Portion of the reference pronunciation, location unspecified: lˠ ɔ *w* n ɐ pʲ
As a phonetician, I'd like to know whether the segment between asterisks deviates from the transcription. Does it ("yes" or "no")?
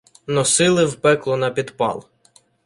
yes